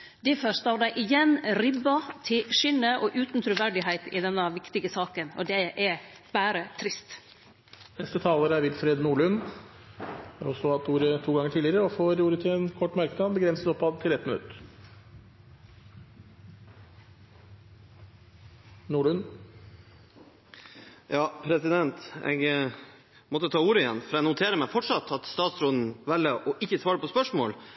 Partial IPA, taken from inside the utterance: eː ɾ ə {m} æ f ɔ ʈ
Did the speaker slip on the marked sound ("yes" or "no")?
no